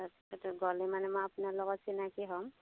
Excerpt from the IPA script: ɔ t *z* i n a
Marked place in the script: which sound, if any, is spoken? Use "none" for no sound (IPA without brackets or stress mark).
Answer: s